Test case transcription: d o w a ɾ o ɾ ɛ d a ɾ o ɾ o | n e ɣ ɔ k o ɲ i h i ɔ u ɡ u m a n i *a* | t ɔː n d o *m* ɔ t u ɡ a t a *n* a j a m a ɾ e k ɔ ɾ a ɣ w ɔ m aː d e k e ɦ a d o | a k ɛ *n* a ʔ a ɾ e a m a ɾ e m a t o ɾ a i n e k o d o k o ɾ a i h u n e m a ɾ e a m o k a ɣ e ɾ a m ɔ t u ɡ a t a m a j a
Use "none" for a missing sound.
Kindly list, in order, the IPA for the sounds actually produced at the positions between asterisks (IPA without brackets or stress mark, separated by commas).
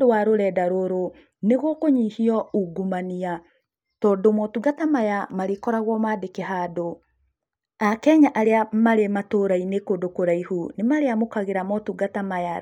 a, m, m, ɲ